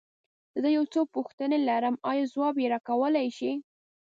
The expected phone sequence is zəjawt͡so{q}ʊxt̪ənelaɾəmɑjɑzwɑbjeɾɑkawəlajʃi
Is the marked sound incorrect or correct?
incorrect: p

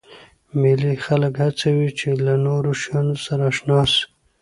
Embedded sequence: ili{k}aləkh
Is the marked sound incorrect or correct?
incorrect: x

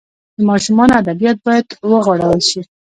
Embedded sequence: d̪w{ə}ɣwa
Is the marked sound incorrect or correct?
correct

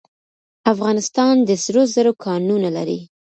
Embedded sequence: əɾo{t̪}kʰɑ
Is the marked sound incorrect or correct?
incorrect: none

